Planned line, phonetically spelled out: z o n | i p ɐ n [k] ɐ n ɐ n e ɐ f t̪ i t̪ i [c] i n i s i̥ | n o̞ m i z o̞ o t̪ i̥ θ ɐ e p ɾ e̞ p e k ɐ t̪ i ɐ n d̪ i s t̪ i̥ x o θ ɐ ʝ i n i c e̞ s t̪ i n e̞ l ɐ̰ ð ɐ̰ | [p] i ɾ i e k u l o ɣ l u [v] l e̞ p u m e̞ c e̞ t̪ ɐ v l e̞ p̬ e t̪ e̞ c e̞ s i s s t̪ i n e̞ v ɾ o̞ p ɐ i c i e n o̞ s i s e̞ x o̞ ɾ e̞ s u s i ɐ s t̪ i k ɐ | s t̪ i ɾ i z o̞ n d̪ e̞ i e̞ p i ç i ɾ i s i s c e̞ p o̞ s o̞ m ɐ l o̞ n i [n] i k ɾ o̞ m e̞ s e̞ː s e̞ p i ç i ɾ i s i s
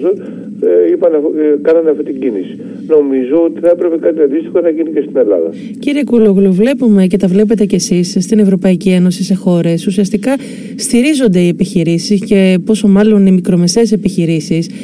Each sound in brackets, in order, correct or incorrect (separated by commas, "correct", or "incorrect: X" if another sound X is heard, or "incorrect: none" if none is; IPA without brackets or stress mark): correct, incorrect: ɟ, incorrect: c, correct, incorrect: m